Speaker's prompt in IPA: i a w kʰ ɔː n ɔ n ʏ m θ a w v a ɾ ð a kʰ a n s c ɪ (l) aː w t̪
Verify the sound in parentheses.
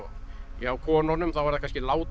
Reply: correct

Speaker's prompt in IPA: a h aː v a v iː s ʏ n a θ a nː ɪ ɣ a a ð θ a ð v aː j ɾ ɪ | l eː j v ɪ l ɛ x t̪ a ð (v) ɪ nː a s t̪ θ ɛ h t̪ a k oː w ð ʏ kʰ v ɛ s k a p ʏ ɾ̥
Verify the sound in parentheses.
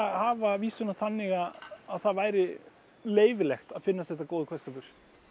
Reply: incorrect: f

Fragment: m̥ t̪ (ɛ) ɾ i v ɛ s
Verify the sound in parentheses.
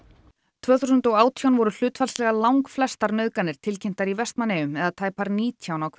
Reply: incorrect: a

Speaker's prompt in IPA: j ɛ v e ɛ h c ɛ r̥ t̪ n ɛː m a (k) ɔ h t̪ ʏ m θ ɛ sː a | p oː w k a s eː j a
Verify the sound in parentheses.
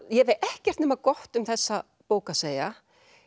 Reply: correct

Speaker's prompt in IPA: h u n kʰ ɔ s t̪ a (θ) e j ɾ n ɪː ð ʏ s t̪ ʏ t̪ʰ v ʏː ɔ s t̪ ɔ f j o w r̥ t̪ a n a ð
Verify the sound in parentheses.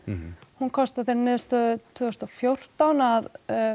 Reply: correct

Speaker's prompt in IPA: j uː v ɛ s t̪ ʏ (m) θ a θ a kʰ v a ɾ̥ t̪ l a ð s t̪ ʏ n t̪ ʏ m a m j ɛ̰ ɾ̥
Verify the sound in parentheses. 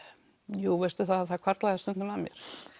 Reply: incorrect: none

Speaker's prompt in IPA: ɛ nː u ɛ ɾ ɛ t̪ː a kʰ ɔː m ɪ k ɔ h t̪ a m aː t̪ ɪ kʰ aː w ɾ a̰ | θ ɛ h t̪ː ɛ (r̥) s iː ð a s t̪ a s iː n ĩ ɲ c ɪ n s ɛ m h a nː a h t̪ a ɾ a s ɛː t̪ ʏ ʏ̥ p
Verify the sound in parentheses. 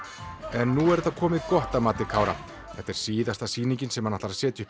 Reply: incorrect: ɾ̥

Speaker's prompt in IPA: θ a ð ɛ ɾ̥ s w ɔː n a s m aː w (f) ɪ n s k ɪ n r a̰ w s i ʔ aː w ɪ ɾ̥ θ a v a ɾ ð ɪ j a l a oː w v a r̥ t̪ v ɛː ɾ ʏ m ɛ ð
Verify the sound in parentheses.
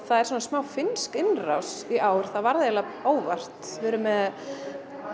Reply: correct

